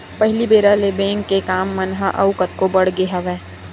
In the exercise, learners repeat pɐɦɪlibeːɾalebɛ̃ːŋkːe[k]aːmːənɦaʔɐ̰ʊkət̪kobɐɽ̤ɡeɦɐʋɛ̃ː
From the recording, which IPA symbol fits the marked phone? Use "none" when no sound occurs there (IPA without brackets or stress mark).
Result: k